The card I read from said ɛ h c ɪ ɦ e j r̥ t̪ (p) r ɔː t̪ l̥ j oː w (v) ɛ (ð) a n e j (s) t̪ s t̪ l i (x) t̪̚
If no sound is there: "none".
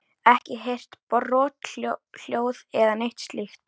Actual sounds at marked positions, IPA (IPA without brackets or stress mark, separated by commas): p, ð, ð, h, x